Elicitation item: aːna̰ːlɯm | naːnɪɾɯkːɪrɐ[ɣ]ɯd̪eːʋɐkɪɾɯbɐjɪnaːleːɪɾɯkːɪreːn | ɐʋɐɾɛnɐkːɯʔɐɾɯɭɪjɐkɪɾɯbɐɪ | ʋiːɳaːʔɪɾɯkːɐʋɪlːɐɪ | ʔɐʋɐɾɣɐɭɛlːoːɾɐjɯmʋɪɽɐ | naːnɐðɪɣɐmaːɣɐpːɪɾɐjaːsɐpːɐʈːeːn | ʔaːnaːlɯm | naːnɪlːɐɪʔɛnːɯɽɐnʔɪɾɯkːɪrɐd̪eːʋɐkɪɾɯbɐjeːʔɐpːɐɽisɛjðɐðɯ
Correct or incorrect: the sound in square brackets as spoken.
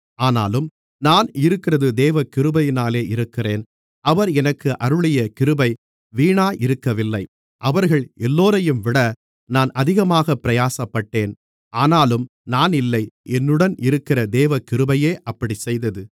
incorrect: ð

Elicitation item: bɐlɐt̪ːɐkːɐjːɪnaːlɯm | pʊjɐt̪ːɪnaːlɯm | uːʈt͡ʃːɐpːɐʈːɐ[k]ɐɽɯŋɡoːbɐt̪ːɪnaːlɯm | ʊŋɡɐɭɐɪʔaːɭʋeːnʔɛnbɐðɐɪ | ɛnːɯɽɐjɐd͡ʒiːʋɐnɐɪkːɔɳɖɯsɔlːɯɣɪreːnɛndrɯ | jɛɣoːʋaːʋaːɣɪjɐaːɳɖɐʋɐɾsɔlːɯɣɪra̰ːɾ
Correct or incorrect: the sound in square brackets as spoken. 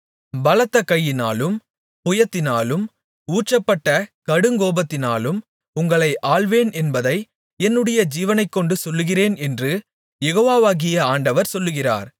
correct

